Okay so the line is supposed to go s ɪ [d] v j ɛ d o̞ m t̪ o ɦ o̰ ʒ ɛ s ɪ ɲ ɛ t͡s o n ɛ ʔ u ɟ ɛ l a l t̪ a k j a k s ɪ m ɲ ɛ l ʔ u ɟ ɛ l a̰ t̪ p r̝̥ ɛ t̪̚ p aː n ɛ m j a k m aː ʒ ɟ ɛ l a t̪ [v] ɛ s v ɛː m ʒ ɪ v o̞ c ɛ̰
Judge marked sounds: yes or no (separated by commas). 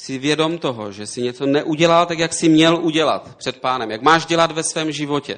no, yes